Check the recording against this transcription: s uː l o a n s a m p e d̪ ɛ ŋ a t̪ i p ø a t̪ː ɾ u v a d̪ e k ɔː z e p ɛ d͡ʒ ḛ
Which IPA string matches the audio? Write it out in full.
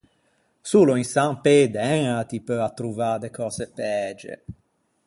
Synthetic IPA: s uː l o i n s a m p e d̪ ɛ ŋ a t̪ i p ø a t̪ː ɾ u v a d̪ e k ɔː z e p ɛ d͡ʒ ḛ